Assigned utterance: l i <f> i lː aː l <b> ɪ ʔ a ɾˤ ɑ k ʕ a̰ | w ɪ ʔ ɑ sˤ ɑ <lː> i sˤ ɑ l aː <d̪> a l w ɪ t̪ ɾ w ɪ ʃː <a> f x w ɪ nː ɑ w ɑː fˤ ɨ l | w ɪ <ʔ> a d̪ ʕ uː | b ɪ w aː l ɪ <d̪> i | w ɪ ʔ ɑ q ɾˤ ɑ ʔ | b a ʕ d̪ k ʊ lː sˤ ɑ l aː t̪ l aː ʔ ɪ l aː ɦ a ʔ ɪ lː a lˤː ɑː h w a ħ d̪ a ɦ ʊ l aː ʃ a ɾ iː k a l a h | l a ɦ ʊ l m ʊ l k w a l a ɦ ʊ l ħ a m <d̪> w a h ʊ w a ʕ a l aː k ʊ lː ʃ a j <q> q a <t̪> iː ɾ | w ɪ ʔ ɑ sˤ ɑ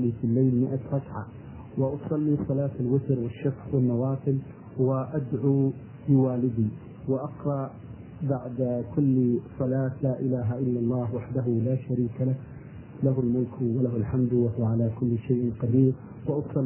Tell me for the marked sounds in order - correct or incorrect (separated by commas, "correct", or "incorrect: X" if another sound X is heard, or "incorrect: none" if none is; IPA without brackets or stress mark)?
correct, incorrect: m, correct, incorrect: t̪, correct, correct, correct, correct, incorrect: ʔ, incorrect: d̪